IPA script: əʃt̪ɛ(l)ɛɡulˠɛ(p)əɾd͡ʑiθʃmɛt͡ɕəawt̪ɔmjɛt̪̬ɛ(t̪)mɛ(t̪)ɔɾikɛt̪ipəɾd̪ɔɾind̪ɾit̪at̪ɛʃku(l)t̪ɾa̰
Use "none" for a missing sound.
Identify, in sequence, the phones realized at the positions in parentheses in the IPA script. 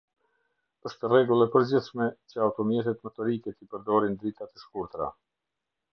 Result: r, p, t̪, t̪, ɾ

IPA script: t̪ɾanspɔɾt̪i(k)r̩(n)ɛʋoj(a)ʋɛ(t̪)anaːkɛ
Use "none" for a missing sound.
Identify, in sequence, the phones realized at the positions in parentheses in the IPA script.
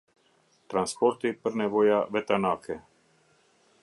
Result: p, n, a, t̪

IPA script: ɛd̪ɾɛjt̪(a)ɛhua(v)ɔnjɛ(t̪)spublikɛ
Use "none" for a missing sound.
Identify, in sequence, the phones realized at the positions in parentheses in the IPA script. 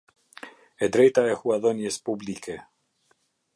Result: a, ð, none

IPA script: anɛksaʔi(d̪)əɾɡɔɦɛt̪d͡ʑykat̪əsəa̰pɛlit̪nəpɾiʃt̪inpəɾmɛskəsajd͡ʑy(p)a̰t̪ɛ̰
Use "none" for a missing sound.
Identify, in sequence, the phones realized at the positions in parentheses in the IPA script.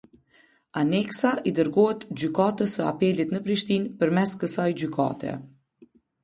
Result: d̪, k

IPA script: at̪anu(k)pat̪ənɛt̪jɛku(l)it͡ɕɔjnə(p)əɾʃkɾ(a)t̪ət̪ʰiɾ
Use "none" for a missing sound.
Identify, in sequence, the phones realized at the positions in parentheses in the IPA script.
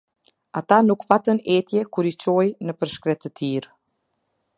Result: k, ɾ, p, ɛ

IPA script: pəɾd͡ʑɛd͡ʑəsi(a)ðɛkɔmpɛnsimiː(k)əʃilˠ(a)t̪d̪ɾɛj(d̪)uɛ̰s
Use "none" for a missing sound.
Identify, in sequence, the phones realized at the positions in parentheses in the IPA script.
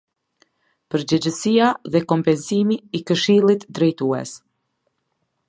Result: a, k, i, t̪

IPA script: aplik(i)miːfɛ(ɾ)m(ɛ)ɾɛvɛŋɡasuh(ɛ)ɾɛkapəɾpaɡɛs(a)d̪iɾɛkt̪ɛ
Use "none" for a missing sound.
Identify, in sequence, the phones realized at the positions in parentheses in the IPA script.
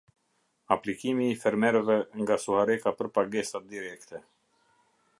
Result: i, ɾ, ɛ, a, a

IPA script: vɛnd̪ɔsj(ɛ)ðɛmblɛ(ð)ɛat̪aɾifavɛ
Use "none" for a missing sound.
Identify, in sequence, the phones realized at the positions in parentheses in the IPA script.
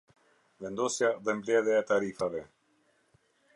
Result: a, ð

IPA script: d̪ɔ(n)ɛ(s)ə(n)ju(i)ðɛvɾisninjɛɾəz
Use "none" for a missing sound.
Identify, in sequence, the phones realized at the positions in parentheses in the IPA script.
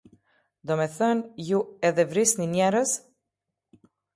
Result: m, θ, n, ɛ

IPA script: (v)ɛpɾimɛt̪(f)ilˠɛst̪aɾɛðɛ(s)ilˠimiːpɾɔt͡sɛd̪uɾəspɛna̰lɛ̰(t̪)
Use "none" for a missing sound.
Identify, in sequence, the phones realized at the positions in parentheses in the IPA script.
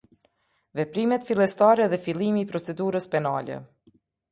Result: v, f, f, none

